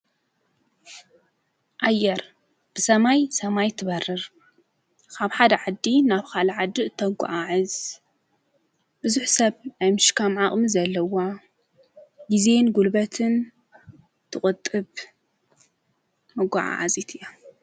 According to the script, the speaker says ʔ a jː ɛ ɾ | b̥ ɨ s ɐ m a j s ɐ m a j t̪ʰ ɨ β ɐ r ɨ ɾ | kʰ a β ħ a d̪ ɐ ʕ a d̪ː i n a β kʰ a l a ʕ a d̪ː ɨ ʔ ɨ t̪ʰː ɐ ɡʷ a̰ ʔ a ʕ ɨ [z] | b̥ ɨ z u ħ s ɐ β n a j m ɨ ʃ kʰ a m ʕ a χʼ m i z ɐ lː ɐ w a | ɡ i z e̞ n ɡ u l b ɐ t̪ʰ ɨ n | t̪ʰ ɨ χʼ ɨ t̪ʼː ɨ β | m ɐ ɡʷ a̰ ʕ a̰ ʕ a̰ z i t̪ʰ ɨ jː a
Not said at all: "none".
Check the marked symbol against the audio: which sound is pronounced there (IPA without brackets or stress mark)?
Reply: z